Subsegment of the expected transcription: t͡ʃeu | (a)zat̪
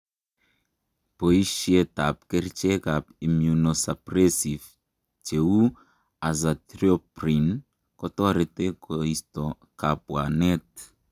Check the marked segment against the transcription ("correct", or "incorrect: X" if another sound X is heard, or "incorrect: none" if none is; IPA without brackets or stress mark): correct